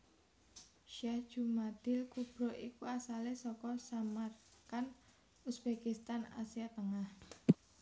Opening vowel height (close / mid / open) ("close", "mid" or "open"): open